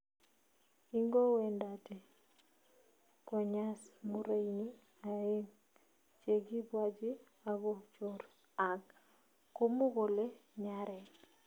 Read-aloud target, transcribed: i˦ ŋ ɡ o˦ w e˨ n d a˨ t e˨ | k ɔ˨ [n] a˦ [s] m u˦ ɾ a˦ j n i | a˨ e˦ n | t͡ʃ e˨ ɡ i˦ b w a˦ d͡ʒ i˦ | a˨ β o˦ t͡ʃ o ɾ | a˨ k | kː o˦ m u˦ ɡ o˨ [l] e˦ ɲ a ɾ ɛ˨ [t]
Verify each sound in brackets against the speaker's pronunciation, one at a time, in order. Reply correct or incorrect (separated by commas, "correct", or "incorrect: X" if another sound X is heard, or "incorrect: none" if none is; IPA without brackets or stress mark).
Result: incorrect: ɲ, correct, correct, incorrect: none